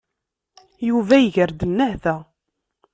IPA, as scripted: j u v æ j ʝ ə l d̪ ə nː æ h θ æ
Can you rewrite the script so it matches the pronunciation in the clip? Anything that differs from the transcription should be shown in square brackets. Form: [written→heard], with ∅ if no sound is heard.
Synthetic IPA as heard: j u v æ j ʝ ə [l→ɾ] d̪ ə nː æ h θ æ